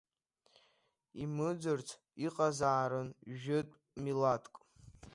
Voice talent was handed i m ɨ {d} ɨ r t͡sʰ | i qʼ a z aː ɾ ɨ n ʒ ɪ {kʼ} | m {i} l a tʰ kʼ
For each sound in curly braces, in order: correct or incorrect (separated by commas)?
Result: incorrect, incorrect, correct